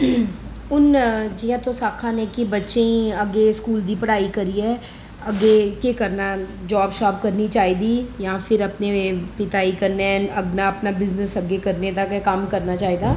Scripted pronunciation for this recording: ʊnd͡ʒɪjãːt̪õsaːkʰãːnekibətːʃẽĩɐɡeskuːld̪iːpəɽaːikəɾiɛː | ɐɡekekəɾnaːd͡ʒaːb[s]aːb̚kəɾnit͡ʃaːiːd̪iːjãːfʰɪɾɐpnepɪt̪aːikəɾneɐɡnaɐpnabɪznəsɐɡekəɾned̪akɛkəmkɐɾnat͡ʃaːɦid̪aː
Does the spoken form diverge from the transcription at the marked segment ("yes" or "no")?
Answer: yes